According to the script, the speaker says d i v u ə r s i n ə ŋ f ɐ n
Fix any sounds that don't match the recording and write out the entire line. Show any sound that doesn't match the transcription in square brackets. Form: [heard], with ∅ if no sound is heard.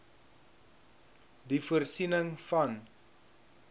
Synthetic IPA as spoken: d i [f] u ə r s i n ə ŋ f ɐ n

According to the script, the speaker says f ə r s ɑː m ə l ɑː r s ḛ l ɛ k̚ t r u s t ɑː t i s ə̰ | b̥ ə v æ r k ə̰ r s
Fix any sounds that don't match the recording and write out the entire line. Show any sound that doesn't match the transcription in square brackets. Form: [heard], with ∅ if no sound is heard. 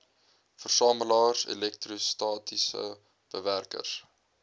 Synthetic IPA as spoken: f ə r s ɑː m ə l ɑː r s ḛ l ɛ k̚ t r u s t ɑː t i s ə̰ | b̥ ə v æ r k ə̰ r s

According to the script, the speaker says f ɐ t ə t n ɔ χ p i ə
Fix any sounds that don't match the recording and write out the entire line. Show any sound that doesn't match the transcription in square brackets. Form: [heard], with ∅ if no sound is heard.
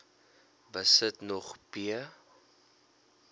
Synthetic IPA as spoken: [v] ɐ [s] ə t n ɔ χ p i ə

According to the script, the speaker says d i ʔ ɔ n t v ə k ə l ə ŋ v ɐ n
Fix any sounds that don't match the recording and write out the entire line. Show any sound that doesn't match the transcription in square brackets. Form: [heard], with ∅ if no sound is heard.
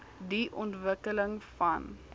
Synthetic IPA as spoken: d i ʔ ɔ n t v ə k ə l ə ŋ [f] ɐ n

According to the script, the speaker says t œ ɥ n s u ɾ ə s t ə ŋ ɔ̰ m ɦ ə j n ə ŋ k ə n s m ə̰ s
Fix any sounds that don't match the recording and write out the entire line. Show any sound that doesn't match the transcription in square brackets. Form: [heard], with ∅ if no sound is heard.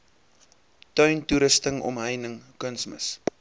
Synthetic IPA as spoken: t œ ɥ n [t] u ɾ ə s t ə ŋ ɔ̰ m ɦ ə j n ə ŋ k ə n s m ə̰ s

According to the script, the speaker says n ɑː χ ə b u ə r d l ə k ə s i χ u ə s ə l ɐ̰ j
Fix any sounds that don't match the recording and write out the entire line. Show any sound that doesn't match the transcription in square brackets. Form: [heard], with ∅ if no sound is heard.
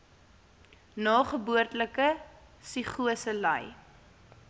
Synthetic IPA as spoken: n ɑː χ ə b u ə r [t] l ə k ə s i χ u ə s ə l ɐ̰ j

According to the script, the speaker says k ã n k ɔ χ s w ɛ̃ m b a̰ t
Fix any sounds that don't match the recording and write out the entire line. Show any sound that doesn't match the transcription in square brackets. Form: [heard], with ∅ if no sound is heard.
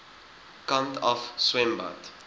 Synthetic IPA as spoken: k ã n [t] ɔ [f] s w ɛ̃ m b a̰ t

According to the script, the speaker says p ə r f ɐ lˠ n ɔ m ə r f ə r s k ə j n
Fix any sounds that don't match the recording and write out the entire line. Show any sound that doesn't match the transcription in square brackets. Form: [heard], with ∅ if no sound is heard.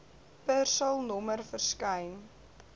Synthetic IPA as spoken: p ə r [s] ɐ lˠ n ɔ m ə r f ə r s k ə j n

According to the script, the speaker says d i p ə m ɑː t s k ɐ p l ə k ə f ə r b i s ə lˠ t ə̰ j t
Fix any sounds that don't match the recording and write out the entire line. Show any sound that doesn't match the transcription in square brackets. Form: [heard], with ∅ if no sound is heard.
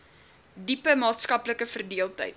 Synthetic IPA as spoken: d i p ə m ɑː t s k ɐ p l ə k ə f ə r [d] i [∅] ə lˠ t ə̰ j t

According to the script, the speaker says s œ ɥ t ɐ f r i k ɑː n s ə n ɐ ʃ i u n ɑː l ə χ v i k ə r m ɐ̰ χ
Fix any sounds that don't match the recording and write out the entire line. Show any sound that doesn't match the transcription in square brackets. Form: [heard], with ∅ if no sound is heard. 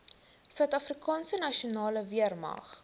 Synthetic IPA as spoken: s œ ɥ t ɐ f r i k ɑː n s ə n ɐ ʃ i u n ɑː l ə [∅] v i [∅] ə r m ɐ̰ χ

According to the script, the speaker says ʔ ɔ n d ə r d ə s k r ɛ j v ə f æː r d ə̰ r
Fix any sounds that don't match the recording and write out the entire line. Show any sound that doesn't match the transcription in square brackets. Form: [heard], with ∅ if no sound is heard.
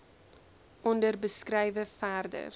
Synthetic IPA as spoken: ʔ ɔ n d ə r [b] ə s k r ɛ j v ə f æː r d ə̰ r

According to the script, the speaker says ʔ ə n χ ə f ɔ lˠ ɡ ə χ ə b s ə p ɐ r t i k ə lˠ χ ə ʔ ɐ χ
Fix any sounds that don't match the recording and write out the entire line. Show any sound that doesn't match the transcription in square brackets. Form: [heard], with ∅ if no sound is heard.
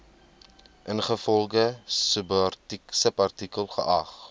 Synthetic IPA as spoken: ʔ ə n χ ə f ɔ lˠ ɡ ə [s] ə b s ə p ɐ r t i k ə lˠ χ ə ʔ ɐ χ

